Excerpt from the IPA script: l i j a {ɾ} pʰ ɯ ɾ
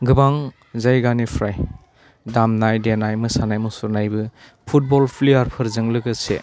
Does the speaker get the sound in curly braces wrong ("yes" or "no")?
no